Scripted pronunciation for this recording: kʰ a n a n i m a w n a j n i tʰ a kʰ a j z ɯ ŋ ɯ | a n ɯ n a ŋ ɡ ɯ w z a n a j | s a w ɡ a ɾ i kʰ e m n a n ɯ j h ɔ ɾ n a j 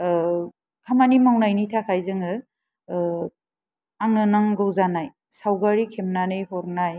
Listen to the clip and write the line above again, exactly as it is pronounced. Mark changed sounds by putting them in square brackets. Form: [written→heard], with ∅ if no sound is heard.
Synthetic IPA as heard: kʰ a [n→m] a n i m a w n a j n i tʰ a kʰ a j z ɯ ŋ ɯ | a [n→ŋ] ɯ n a ŋ ɡ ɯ w z a n a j | s a w ɡ a ɾ i kʰ e m n a n ɯ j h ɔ ɾ n a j